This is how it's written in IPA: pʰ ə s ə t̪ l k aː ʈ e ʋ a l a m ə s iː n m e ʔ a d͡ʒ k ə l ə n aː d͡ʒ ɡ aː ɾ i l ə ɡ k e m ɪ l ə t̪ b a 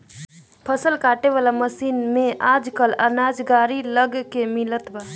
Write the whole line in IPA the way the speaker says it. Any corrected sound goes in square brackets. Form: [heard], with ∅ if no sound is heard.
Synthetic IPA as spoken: pʰ ə s ə [∅] l k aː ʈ e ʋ a l a m ə s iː n m e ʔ a d͡ʒ k ə l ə n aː d͡ʒ ɡ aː ɾ i l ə ɡ k e m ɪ l ə t̪ b a